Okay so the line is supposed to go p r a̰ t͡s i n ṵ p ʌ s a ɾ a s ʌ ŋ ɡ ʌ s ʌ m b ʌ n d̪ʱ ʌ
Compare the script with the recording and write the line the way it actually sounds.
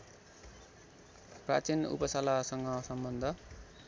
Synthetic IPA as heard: p r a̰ t͡s i n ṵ p ʌ s a l a s ʌ ŋ ɡ ʌ s ʌ m b ʌ n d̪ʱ ʌ

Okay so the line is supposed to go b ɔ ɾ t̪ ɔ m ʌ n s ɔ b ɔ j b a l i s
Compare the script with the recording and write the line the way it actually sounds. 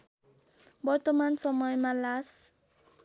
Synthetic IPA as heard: b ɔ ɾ t̪ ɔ m a n s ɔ m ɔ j m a l a s

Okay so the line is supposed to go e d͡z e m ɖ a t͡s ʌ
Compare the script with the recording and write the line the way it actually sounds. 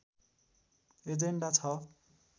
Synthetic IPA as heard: e d͡z e ɳ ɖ a t͡sʰ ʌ

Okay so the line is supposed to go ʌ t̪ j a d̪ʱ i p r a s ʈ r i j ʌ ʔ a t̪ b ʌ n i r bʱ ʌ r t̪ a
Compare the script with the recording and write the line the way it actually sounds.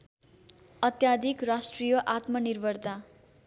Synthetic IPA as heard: ʌ t̪ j a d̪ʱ i k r a s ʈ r i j ʌ ʔ a t̪ m ʌ n i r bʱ ʌ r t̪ a

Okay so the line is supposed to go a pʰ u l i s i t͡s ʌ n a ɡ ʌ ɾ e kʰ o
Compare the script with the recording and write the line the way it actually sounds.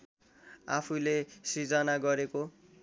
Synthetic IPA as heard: a pʰ u l e s i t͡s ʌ n a ɡ ʌ ɾ e k o

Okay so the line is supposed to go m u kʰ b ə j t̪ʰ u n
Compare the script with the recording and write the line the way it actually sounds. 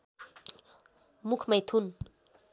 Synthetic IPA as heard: m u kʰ m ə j t̪ʰ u n

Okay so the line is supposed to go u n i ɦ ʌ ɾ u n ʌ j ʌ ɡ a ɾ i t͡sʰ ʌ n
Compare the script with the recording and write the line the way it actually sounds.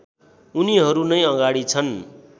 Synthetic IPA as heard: u n i ɦ ʌ ɾ u n ʌ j ʌ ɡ a ɽ i t͡sʰ ʌ n

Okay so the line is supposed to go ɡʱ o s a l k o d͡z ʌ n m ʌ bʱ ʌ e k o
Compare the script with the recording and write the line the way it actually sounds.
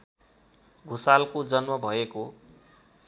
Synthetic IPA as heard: ɡʱ u s a l k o d͡z ʌ n m ʌ bʱ ʌ e k o

